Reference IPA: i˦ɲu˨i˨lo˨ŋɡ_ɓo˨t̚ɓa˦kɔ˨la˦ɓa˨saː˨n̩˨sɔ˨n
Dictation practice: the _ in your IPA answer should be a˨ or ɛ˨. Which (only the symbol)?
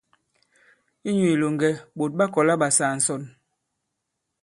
ɛ˨